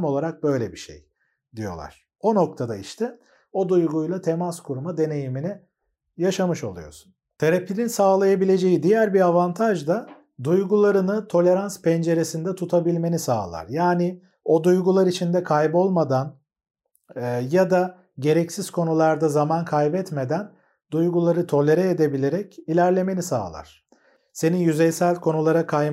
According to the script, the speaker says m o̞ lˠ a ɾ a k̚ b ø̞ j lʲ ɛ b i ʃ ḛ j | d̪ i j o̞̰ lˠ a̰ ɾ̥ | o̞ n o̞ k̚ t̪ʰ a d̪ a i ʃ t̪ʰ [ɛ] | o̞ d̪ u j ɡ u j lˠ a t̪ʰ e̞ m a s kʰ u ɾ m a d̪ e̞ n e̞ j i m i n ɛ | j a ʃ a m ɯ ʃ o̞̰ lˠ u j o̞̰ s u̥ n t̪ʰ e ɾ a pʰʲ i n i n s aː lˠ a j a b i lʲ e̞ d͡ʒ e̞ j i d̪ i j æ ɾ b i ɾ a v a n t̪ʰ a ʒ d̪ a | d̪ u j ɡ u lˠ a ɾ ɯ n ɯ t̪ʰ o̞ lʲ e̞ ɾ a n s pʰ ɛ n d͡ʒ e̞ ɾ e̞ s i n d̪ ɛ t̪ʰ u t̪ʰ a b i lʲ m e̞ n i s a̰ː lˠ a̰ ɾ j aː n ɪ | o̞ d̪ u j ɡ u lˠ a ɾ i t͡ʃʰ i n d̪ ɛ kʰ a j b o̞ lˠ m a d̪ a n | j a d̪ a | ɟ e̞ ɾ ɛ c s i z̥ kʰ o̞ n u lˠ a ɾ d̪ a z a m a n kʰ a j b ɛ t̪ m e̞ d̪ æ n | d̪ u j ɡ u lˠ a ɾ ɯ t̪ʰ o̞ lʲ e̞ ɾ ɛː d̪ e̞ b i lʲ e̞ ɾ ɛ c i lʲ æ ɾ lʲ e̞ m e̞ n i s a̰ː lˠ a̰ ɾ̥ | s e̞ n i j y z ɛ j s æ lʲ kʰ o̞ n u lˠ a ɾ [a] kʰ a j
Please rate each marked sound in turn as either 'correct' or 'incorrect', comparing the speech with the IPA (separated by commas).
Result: correct, correct